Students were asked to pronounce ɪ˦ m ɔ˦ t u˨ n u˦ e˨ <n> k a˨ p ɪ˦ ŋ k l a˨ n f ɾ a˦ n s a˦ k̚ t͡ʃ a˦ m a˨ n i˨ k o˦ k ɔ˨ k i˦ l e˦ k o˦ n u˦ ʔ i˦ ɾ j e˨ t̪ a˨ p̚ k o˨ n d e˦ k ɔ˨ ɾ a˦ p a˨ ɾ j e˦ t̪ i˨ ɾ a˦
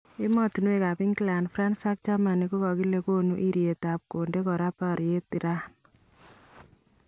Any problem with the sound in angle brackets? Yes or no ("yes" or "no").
yes